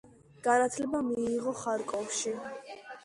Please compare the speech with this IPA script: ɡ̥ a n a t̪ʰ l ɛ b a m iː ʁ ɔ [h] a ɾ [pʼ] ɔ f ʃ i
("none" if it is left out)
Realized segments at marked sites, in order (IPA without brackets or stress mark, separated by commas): χ, kʼ